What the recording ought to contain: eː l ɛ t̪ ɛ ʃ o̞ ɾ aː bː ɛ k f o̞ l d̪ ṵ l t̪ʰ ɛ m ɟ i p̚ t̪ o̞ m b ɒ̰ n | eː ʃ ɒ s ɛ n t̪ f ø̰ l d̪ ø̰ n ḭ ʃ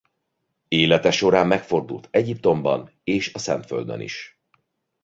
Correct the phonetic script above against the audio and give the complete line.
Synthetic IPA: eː l ɛ t̪ ɛ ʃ o̞ ɾ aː mː ɛ k f o̞ r d̪ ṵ l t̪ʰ ɛ ɟ i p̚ t̪ o̞ m b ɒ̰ n | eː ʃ ɒ s ɛ n t̪ f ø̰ l d̪ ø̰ n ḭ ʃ